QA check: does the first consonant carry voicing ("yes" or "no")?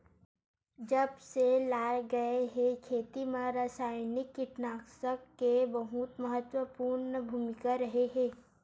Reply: yes